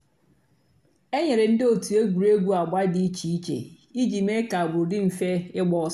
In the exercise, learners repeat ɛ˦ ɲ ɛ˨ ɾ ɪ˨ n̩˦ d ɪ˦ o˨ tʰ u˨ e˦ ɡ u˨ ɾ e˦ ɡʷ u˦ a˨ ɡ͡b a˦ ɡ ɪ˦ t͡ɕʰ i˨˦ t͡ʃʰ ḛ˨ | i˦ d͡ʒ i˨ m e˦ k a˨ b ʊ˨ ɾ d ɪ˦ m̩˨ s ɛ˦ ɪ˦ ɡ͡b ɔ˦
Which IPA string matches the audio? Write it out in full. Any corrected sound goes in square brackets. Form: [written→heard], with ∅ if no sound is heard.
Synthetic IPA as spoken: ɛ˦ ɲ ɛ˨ ɾ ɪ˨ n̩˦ d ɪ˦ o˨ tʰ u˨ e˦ ɡ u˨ ɾ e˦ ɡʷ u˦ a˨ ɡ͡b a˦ [ɡ→d] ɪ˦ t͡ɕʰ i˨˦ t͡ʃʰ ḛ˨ | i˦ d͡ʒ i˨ m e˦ k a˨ b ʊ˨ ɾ d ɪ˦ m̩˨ [s→f] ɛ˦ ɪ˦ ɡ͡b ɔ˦

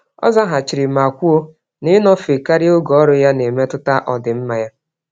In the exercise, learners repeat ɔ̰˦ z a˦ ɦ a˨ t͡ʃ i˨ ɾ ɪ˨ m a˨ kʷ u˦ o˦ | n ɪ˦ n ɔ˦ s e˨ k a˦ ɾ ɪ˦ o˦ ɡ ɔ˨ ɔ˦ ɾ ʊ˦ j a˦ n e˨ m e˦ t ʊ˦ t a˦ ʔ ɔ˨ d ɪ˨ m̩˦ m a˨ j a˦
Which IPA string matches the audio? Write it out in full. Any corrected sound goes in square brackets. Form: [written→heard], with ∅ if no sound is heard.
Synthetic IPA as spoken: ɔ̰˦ z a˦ ɦ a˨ t͡ʃ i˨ ɾ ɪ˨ m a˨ kʷ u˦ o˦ | n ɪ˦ n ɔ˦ [s→f] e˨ k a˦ ɾ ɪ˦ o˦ ɡ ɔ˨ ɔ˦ ɾ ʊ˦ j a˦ n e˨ m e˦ t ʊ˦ t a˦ ʔ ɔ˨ d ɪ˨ m̩˦ m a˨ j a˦

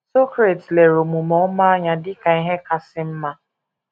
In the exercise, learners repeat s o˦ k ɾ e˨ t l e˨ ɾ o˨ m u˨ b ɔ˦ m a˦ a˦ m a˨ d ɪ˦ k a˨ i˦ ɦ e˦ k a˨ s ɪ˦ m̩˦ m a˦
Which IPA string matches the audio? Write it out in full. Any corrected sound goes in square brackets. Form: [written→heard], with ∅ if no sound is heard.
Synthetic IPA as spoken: s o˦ k ɾ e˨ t l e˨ ɾ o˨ m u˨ [b→m] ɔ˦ m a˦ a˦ [m→ɲ] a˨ d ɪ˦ k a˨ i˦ ɦ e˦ k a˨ s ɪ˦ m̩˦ m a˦

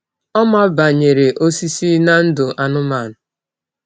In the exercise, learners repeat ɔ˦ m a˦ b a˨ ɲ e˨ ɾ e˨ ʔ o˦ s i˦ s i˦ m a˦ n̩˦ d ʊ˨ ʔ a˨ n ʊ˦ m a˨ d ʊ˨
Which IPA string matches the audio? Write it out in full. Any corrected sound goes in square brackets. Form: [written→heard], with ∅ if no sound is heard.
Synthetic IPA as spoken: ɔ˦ m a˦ b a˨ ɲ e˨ ɾ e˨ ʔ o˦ s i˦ s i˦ [m→n] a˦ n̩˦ d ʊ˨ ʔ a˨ n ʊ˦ m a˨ [d→n] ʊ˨

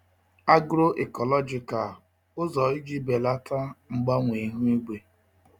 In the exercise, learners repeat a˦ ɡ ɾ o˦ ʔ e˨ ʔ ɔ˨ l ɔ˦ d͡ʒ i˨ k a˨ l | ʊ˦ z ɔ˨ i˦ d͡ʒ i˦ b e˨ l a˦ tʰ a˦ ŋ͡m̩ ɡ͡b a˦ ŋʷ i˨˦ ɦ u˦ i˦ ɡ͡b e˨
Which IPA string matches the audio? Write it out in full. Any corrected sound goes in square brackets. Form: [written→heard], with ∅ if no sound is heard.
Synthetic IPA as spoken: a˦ ɡ ɾ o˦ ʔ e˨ [ʔ→k] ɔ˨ l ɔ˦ d͡ʒ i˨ k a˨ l | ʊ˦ z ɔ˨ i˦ d͡ʒ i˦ b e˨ l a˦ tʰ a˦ ŋ͡m̩ ɡ͡b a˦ ŋʷ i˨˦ ɦ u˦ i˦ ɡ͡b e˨

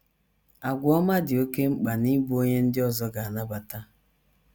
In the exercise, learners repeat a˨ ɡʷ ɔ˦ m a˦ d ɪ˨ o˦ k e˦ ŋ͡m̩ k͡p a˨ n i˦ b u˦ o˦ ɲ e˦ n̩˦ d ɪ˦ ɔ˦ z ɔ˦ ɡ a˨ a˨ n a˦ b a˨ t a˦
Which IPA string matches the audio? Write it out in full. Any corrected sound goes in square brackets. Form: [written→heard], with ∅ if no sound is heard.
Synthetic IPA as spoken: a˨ ɡʷ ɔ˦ m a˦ d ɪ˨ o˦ k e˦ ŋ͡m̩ k͡p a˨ n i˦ b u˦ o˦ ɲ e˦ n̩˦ d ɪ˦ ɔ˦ z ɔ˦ ɡ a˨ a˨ n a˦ b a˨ t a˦

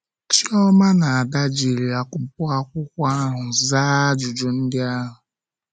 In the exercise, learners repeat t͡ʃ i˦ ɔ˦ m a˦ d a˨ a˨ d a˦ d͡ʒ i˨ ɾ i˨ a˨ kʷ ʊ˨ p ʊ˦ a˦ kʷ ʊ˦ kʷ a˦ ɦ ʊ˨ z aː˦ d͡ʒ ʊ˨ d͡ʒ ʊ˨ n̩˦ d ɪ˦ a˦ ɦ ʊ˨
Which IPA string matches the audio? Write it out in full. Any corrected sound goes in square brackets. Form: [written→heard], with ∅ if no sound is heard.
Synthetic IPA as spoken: t͡ʃ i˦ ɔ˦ m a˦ [d→n] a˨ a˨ d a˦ d͡ʒ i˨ ɾ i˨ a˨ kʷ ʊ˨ p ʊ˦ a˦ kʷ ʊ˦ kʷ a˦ ɦ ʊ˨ z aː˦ d͡ʒ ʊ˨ d͡ʒ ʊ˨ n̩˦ d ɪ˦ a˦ ɦ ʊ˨

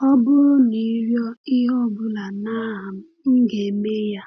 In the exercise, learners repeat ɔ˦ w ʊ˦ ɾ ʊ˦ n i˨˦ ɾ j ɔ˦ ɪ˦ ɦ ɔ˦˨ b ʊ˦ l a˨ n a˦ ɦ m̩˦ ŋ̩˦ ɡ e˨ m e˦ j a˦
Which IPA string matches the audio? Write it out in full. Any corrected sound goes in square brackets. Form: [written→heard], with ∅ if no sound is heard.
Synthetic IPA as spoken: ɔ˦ [w→b] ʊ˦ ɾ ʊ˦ n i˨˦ ɾ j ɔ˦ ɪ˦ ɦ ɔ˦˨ b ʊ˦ l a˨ n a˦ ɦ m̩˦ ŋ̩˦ ɡ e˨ m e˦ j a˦

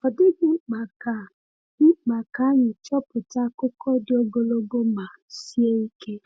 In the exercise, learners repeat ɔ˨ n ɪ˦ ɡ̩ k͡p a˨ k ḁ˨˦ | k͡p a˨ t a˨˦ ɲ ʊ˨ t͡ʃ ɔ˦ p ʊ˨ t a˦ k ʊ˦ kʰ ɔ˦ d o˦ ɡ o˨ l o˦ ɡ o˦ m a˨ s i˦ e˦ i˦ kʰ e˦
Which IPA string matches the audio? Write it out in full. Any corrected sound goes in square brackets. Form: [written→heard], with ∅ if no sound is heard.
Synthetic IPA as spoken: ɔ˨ [n→d] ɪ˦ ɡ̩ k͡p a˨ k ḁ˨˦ | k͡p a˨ [t→k] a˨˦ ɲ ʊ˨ t͡ʃ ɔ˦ p ʊ˨ t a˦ k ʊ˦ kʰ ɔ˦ d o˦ ɡ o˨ l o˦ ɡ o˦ m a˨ s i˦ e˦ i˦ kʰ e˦

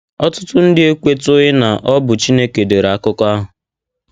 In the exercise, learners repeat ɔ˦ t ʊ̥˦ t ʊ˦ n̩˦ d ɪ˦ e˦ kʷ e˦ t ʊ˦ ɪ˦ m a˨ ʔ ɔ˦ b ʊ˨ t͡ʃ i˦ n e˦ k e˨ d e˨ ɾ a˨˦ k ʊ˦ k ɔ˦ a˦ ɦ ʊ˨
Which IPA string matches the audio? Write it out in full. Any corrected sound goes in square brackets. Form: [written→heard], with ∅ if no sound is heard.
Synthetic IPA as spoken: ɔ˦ t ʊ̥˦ t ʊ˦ n̩˦ d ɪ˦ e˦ kʷ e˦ t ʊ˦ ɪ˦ [m→n] a˨ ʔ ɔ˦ b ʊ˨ t͡ʃ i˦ n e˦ k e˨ d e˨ ɾ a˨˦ k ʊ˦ k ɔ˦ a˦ ɦ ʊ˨

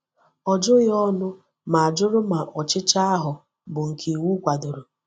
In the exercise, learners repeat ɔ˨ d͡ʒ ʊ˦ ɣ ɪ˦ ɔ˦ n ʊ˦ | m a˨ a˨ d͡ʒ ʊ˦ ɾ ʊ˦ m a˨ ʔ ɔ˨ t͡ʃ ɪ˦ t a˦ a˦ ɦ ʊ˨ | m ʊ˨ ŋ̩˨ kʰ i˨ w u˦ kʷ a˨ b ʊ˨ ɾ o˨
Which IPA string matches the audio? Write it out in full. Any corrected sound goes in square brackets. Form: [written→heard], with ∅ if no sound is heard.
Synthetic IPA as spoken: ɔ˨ d͡ʒ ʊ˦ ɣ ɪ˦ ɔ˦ n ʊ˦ | m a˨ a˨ d͡ʒ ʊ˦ ɾ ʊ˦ m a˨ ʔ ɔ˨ t͡ʃ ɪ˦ [t→t͡ʃ] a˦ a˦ ɦ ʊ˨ | [m→b] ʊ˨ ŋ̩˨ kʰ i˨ w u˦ kʷ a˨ [b→d] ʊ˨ ɾ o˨

